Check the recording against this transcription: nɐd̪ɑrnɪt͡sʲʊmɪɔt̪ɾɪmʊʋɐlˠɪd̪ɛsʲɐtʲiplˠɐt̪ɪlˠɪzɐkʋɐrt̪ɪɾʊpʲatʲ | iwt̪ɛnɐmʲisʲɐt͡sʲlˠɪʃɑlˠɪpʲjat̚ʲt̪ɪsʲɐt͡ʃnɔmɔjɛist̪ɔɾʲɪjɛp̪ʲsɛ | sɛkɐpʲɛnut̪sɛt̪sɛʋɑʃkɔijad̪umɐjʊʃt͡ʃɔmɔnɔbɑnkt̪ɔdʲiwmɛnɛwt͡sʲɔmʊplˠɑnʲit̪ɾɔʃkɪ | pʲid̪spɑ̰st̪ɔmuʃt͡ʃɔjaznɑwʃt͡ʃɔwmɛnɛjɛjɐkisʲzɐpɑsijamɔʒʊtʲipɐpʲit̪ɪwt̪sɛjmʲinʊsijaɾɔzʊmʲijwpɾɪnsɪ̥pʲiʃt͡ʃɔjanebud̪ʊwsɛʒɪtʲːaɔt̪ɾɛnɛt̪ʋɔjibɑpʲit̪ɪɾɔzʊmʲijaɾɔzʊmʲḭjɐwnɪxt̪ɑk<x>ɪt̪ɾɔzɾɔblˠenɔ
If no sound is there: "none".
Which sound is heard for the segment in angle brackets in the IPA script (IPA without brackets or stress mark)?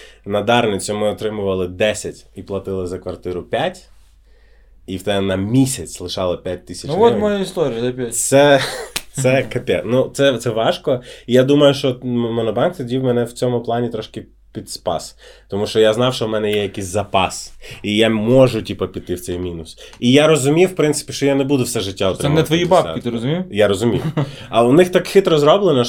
x